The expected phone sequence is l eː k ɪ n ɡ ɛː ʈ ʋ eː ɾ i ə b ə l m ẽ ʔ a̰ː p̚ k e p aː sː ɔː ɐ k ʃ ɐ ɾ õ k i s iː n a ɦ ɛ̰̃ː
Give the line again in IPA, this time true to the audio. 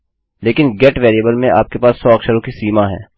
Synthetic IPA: l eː k ɪ n ɡ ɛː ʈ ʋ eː ɾ i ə b ə l m ẽ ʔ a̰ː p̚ k e p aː sː ɔː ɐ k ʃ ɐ ɾ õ k i s iː m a ɦ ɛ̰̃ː